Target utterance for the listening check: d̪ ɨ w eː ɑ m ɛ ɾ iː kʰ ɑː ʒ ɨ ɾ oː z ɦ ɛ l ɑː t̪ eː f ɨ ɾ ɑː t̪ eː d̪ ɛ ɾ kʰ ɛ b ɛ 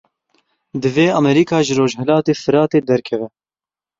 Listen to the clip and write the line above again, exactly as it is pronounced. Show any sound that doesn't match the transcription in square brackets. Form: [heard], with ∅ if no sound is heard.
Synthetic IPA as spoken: d̪ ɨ [v] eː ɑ m ɛ ɾ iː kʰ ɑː ʒ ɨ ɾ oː [ʒ] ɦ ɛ l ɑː t̪ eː f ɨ ɾ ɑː t̪ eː d̪ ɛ ɾ kʰ ɛ [v] ɛ